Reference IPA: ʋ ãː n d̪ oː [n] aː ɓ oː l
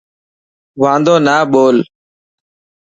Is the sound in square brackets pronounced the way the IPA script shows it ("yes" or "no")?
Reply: yes